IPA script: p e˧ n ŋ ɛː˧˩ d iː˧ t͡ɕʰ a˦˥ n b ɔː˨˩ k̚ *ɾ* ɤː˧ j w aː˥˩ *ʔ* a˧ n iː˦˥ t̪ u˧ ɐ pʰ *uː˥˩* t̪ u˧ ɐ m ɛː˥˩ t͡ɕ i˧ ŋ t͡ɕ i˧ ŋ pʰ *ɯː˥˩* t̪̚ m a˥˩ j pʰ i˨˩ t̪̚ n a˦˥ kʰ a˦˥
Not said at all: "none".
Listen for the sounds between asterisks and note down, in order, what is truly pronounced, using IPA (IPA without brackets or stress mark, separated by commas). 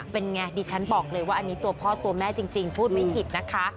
l, ʔ, ɔː˥˩, uː˥˩